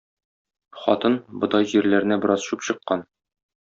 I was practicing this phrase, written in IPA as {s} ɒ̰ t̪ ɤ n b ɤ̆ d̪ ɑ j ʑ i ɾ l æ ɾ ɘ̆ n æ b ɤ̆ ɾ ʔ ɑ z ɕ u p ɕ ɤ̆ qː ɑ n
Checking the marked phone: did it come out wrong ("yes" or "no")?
yes